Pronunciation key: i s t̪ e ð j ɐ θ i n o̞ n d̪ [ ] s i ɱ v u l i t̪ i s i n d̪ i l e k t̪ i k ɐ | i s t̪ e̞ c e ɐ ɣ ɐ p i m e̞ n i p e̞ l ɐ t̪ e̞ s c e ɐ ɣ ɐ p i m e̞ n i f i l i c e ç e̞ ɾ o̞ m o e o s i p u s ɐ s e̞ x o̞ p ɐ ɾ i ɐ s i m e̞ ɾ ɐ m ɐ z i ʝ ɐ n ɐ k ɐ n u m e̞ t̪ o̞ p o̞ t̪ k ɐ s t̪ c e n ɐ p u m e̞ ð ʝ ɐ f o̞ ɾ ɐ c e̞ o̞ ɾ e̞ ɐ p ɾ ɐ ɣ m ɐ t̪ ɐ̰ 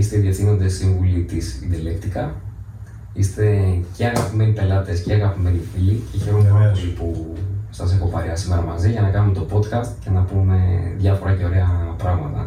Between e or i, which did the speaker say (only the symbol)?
e